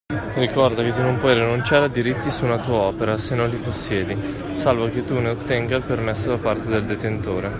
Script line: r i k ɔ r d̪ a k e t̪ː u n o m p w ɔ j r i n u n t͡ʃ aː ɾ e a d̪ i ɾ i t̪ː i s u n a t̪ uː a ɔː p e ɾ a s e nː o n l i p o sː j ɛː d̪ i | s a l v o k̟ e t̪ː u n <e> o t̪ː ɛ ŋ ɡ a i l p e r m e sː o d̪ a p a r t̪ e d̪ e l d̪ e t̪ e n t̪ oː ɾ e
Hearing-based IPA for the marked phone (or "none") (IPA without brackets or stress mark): e